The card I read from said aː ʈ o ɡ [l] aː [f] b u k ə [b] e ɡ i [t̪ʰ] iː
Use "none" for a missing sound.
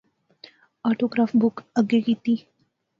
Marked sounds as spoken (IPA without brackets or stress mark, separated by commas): ɾ, f, ɡ, t̪